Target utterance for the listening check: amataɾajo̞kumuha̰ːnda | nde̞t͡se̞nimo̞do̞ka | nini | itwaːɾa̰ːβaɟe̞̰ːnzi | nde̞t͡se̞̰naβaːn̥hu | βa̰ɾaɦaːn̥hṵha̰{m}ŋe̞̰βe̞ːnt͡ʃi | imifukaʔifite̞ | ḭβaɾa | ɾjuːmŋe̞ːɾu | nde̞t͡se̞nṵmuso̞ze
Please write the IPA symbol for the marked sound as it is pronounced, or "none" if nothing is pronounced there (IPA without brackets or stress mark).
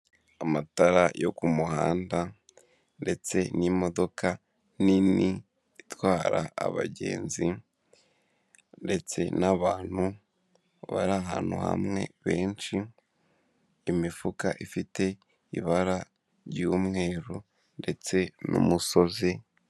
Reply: m